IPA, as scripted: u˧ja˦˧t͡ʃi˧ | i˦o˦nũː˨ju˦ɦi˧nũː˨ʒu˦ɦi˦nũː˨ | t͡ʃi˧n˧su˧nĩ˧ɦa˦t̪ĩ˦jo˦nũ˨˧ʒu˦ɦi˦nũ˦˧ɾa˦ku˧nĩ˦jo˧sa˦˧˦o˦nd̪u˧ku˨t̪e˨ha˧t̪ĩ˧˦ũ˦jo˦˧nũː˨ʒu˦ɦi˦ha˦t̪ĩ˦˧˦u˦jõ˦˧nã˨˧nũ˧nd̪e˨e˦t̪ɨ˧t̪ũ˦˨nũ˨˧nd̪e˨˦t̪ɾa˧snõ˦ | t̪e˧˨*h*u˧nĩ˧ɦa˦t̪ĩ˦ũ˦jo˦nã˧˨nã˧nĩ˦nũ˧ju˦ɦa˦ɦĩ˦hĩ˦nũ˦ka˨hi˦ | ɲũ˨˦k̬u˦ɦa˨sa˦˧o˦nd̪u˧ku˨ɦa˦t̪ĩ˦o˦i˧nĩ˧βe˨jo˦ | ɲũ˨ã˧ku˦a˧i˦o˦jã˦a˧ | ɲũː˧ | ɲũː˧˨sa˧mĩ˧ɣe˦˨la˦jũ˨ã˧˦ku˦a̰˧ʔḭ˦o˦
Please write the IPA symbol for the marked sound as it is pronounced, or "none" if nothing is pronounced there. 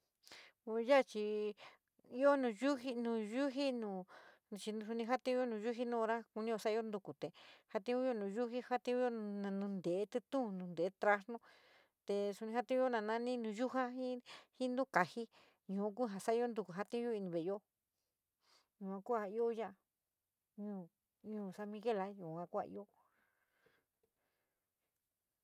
s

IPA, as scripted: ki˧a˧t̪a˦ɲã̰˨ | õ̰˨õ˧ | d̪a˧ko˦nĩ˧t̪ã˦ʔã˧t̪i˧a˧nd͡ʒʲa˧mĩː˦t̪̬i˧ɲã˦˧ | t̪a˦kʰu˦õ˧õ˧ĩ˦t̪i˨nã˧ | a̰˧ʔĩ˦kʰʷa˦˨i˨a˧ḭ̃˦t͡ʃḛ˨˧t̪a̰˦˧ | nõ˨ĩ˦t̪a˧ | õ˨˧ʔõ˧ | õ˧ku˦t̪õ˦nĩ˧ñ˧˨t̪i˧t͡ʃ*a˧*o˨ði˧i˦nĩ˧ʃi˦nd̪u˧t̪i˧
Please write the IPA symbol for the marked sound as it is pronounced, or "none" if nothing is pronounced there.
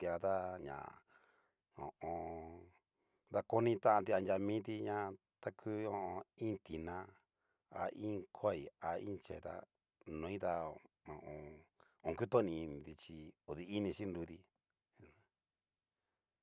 i˧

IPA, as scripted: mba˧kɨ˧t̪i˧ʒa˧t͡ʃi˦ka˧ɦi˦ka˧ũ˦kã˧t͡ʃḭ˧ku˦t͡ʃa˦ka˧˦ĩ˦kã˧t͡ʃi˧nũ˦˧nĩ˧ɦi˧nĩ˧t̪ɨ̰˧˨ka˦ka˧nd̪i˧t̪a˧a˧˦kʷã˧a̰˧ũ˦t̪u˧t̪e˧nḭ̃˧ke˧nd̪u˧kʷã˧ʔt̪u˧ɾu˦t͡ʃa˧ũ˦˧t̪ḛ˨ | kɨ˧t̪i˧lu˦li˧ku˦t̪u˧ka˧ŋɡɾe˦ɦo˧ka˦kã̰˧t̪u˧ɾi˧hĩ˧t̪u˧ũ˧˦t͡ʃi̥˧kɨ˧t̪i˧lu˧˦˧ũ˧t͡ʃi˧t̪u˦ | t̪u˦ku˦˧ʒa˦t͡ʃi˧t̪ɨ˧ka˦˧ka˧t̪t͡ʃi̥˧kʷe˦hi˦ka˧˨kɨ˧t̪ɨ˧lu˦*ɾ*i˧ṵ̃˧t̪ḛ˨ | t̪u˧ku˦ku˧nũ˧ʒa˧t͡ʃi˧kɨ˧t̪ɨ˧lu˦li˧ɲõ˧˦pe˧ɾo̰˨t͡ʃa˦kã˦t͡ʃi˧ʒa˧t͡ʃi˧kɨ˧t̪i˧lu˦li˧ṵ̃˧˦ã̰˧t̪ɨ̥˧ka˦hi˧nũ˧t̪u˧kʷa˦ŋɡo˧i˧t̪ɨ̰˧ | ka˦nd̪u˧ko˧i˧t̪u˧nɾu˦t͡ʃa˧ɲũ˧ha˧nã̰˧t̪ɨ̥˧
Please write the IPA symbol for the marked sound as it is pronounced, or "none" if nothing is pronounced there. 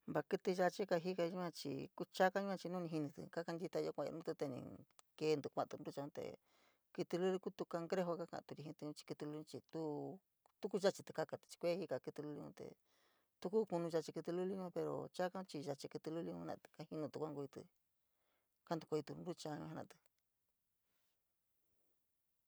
l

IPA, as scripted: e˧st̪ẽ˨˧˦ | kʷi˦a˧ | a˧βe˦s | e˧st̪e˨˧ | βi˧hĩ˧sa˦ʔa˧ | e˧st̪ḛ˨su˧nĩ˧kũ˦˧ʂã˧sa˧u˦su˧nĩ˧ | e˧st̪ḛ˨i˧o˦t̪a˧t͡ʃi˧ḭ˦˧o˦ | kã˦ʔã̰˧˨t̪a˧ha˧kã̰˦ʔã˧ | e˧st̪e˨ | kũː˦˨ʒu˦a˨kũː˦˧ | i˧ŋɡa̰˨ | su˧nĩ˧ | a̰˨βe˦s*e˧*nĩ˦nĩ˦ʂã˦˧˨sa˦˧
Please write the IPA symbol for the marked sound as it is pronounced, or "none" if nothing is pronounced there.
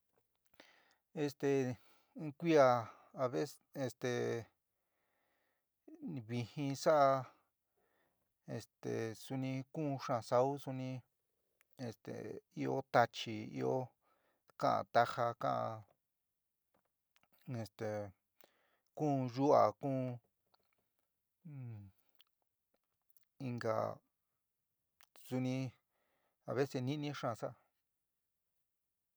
e˧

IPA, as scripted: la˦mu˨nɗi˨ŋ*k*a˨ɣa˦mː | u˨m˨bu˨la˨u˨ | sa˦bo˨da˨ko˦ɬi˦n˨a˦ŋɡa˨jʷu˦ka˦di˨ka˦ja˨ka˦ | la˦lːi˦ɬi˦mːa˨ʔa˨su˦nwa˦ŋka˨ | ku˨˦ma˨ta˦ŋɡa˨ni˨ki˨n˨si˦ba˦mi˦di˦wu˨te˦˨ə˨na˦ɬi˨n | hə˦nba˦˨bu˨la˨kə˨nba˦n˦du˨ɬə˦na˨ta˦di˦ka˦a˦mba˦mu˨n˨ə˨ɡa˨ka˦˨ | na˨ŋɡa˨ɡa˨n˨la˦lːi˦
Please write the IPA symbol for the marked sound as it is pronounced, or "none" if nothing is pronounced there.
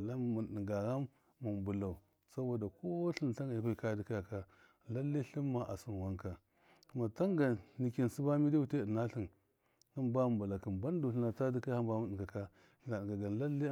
ɡ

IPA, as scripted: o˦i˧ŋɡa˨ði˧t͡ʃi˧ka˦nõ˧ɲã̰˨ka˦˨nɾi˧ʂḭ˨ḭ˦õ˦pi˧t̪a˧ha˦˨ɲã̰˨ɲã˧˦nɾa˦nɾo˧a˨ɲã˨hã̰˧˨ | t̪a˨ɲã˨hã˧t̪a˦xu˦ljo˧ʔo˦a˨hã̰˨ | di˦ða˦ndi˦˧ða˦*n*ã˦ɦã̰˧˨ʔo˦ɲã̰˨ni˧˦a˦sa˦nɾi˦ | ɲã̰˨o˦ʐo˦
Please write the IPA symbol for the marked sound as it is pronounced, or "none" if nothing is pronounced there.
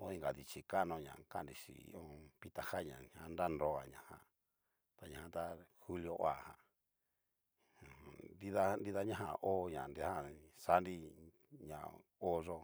ɲ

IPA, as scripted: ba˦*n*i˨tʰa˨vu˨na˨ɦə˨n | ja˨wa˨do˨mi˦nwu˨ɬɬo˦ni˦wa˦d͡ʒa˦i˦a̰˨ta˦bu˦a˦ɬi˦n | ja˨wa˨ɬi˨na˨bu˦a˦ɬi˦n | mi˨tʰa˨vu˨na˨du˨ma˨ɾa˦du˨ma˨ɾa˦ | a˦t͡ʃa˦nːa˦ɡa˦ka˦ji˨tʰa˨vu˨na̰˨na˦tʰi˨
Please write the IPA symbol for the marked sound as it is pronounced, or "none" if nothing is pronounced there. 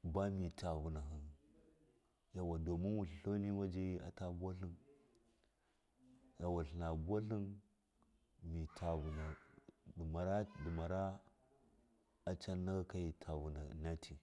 m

